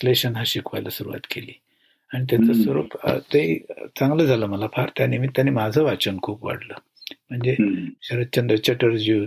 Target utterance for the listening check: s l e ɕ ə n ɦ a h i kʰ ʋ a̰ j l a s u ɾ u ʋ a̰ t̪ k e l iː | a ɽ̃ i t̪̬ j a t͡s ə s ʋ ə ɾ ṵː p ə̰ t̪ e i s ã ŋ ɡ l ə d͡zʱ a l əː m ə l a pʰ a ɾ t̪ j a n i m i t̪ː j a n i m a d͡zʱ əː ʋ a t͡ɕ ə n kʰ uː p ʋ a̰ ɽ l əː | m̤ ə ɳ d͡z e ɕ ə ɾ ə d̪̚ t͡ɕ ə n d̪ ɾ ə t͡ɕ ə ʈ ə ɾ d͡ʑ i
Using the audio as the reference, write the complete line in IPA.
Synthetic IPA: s l e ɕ ə n ɦ a ɕ i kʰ ʋ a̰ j l a s u ɾ u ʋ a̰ t̪ k e l iː | a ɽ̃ i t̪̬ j a t͡s ə s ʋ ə ɾ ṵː p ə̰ t̪ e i t͡s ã ŋ ɡ l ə d͡zʱ a l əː m ə l a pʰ a ɾ t̪ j a n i m i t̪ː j a n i m a d͡zʱ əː ʋ a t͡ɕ ə n kʰ uː p ʋ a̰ ɽ l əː | m̤ ə ɳ d͡z e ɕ ə ɾ ə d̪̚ t͡ɕ ə n d̪ ɾ ə t͡ɕ ə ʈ ə ɾ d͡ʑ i